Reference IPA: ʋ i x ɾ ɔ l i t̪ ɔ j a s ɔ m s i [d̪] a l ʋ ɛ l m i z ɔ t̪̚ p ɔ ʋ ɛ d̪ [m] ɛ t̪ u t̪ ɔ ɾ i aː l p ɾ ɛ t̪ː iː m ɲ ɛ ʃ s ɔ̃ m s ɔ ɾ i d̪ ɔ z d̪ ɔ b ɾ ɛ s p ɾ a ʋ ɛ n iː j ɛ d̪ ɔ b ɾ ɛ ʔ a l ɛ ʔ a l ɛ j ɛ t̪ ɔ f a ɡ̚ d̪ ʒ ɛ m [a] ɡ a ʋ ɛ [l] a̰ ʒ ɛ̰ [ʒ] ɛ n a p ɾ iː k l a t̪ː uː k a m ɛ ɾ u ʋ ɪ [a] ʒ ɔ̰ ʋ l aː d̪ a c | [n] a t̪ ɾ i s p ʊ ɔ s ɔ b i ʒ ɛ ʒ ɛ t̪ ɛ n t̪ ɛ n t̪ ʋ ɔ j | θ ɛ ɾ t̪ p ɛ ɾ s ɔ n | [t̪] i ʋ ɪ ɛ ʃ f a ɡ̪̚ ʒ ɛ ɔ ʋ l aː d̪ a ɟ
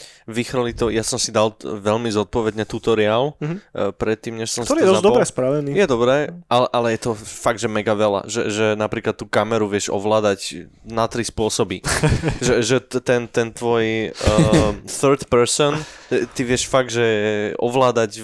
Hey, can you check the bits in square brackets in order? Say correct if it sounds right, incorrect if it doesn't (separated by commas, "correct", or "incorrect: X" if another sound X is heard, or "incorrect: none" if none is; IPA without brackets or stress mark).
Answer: correct, incorrect: ɲ, incorrect: ɛ, correct, correct, incorrect: ɛ, correct, correct